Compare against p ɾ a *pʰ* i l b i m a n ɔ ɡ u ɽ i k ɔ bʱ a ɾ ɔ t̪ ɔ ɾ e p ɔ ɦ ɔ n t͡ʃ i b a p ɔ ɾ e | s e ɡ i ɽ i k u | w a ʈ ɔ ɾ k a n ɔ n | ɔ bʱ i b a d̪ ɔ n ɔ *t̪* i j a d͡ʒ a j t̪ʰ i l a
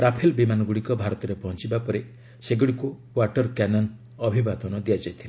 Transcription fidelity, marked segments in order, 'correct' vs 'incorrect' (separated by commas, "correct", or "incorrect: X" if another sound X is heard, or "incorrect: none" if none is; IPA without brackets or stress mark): correct, incorrect: d̪